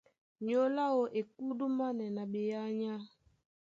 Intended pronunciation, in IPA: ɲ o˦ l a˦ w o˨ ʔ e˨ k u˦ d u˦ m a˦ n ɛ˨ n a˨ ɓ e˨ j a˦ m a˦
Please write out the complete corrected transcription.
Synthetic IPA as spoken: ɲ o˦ l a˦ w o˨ ʔ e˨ k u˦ d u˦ m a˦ n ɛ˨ n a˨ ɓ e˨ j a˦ ɲ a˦